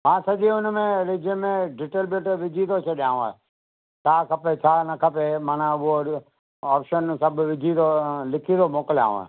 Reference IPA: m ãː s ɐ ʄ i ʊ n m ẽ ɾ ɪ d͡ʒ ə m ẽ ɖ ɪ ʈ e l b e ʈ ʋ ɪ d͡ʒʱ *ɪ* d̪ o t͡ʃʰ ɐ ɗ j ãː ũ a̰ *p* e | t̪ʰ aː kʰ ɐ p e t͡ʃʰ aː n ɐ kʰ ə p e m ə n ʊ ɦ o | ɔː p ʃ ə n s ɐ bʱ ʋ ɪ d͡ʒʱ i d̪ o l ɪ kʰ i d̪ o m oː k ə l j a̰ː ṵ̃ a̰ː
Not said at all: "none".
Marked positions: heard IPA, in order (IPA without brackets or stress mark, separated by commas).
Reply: i, none